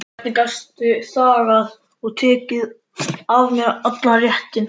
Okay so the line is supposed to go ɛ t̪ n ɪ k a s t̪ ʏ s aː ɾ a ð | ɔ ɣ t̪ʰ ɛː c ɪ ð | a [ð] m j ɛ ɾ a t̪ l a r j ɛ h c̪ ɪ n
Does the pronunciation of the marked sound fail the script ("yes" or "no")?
yes